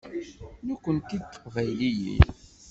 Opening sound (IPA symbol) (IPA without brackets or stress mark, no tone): n